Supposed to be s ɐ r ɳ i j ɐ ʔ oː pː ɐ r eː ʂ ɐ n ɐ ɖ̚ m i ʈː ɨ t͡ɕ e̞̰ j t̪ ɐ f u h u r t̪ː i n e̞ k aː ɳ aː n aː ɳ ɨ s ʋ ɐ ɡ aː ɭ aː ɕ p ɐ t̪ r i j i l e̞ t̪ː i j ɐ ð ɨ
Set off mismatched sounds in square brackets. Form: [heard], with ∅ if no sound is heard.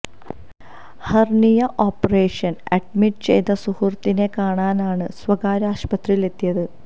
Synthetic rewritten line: [h] ɐ r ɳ i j ɐ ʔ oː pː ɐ r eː ʂ ɐ n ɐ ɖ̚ m i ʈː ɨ t͡ɕ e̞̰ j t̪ ɐ [s] u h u r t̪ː i n e̞ k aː ɳ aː n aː ɳ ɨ s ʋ ɐ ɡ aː [ɾ] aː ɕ p ɐ t̪ r i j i l e̞ t̪ː i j ɐ ð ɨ